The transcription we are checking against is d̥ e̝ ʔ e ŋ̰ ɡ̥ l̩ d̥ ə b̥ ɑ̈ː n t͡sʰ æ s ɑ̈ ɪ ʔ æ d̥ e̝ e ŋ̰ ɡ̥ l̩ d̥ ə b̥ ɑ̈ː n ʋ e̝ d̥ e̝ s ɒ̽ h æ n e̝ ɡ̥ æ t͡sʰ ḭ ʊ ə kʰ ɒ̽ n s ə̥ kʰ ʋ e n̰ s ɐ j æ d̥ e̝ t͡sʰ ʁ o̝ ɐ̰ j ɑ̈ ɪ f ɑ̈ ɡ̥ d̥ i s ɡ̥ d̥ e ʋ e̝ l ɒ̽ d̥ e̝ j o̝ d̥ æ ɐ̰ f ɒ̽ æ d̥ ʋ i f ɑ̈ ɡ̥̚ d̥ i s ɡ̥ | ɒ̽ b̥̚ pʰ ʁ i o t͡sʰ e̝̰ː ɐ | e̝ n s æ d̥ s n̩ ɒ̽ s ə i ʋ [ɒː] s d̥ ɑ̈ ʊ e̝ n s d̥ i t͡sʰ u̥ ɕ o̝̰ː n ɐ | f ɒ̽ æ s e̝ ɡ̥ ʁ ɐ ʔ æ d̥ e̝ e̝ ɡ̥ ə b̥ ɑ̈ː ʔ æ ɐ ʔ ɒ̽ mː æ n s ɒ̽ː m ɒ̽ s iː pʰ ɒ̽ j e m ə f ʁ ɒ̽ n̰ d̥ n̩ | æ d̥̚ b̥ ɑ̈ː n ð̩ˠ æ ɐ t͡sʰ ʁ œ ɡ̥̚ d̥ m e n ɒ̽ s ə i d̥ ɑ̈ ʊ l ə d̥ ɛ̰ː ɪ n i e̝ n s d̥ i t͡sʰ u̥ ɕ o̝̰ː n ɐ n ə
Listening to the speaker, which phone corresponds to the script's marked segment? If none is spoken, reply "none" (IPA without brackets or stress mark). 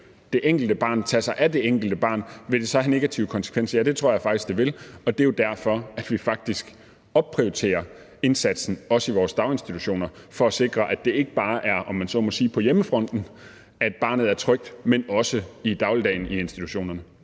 ɒː